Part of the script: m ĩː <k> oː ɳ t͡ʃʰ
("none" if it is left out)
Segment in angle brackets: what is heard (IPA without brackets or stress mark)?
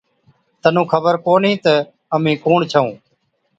k